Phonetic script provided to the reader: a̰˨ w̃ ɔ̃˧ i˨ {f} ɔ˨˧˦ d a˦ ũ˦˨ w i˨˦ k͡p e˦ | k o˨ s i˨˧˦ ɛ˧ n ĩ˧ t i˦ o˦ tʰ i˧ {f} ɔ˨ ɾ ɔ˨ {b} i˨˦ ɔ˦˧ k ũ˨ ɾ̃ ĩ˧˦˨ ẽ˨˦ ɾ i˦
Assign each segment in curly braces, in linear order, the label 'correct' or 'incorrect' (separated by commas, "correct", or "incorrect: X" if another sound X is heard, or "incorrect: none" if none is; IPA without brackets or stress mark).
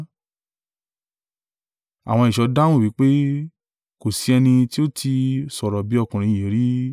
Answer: incorrect: ʃ, incorrect: s, correct